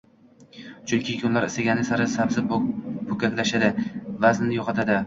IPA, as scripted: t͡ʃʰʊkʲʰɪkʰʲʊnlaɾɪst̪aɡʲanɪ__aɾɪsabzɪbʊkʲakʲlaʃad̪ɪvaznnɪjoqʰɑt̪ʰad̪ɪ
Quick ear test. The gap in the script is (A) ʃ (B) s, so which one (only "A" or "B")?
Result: B